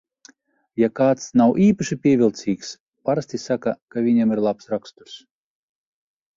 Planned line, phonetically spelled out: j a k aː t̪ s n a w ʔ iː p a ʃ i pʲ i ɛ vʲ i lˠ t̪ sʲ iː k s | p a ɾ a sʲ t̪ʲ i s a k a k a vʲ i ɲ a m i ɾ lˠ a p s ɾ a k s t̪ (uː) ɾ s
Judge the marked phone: incorrect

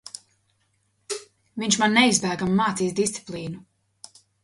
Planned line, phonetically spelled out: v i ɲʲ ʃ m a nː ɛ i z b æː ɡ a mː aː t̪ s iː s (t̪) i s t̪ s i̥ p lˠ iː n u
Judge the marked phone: incorrect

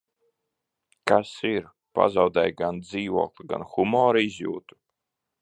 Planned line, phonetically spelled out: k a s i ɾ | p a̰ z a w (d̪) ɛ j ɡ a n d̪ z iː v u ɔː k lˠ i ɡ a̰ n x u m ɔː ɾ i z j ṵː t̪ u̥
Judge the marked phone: correct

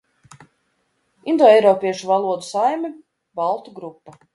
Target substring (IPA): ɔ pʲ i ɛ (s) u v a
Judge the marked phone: incorrect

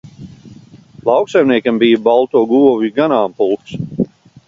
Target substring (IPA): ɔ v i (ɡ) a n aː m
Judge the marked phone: correct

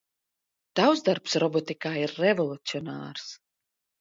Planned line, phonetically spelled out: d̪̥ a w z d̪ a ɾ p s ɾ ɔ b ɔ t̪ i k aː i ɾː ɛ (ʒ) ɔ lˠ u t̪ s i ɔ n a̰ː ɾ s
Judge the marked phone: incorrect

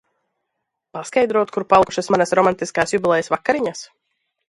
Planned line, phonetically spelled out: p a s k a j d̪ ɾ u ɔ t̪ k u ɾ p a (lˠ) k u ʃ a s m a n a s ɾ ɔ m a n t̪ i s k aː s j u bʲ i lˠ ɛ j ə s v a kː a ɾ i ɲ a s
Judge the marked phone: correct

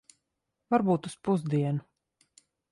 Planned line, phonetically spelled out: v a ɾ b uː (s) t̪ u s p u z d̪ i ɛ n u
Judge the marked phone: incorrect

